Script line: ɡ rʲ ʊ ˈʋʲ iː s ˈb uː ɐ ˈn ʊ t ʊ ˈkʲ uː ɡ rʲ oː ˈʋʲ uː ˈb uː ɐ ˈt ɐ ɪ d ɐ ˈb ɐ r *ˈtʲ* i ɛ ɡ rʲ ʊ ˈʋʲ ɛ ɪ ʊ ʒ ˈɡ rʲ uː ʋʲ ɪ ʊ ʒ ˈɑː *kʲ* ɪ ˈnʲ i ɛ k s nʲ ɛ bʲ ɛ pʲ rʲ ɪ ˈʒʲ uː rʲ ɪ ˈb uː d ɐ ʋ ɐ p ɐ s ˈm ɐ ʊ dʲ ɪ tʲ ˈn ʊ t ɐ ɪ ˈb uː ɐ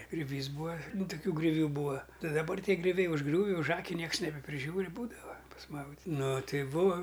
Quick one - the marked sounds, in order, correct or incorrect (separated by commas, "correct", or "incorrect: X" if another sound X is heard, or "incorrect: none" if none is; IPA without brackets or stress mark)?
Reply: correct, correct